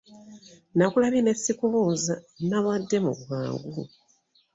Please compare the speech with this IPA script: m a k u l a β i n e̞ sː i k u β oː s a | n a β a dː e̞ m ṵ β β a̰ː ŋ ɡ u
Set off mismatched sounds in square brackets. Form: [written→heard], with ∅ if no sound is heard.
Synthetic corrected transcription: [m→n] a k u l a β i n e̞ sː i k u β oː [s→z] a | n a β a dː e̞ m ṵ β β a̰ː ŋ ɡ u